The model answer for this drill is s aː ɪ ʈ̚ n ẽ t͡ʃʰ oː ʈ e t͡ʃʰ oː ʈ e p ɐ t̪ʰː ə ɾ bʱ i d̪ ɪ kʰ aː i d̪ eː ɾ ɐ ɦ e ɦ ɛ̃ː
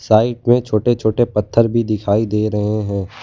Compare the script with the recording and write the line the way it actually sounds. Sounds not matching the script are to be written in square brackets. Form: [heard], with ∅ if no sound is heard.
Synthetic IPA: s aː ɪ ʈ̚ [m] ẽ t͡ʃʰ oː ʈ e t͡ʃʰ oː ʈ e p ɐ t̪ʰː ə ɾ bʱ i d̪ ɪ kʰ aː i d̪ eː ɾ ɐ ɦ e ɦ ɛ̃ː